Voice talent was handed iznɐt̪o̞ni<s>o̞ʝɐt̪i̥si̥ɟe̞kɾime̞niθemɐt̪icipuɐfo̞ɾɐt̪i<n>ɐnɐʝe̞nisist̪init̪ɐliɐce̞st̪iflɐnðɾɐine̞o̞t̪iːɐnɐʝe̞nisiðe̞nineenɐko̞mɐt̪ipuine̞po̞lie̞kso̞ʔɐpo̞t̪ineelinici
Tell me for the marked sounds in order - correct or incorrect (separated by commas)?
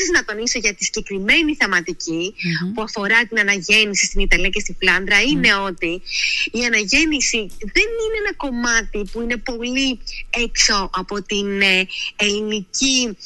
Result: correct, correct